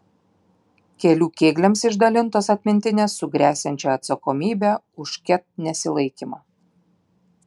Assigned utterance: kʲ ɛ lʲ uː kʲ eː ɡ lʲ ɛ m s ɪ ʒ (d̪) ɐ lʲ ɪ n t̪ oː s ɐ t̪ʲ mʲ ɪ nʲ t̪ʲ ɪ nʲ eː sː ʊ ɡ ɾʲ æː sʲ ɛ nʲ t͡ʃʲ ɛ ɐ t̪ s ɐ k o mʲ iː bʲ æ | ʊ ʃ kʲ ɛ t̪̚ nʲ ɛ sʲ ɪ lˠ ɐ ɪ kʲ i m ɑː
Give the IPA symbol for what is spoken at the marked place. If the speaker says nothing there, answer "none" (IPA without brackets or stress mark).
d̪